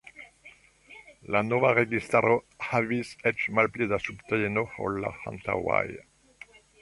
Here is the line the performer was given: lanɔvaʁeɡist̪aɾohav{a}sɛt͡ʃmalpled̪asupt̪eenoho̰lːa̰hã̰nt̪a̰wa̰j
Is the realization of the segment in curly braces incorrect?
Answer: yes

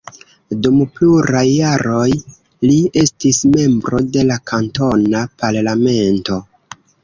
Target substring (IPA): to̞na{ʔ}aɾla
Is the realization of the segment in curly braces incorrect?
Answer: yes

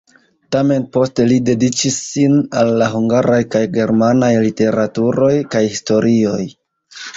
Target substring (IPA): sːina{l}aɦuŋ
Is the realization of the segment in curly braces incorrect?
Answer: yes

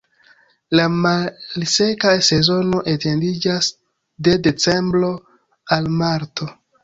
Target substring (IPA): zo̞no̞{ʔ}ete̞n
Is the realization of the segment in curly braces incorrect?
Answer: no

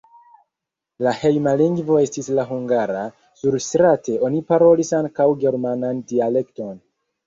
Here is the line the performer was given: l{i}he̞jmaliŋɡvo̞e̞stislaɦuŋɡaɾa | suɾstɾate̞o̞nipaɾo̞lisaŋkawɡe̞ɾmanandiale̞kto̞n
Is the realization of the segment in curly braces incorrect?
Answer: yes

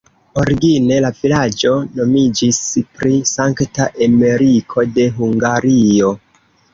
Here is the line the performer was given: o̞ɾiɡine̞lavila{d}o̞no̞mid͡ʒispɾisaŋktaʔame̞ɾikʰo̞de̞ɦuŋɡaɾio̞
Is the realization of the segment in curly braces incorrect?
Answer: yes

